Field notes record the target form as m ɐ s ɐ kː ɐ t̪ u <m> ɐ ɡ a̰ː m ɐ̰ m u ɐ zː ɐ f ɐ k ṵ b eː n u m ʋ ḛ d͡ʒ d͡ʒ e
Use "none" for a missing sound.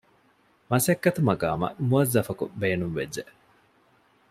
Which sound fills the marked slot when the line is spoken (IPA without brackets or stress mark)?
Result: m